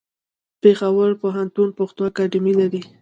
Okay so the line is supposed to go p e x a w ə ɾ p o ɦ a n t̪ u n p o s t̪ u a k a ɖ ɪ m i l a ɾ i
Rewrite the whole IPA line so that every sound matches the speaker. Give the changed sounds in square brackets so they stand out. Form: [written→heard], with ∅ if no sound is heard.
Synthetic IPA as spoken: p e x a w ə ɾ p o ɦ a n t̪ u n p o [s→x] t̪ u a k a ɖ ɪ m i l a ɾ i